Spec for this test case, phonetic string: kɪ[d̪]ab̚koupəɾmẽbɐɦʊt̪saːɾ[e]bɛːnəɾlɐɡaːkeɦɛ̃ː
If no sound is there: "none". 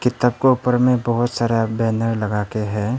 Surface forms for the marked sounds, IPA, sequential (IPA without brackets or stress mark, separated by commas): t̪, a